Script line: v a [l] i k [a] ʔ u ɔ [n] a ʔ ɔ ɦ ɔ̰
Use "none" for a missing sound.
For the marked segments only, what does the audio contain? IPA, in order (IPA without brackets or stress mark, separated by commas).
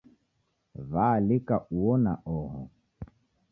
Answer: l, a, n